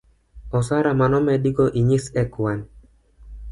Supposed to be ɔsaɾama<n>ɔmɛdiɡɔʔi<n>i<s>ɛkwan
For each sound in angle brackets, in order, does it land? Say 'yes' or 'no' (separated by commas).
yes, no, yes